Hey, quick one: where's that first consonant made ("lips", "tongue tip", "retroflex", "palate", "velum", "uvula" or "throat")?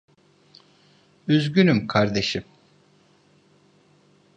tongue tip